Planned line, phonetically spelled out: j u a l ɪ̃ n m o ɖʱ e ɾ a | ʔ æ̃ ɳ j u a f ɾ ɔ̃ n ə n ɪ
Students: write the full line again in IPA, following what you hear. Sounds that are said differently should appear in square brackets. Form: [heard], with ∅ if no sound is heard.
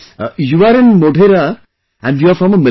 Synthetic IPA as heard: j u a [ɾ] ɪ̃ n m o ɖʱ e ɾ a | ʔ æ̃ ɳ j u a f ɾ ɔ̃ [m] ə [m] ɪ